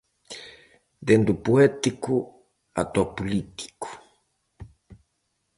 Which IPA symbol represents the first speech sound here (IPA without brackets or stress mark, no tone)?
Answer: d̪